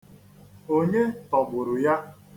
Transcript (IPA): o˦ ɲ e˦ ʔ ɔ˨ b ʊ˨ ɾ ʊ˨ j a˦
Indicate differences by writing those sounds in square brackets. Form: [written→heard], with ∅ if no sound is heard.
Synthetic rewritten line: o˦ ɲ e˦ [ʔ→t] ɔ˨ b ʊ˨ ɾ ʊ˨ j a˦